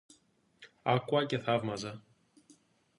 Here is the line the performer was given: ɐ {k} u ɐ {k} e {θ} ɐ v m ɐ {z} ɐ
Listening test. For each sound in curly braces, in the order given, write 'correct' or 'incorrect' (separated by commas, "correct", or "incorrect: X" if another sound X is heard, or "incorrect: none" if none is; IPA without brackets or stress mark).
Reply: correct, incorrect: c, correct, correct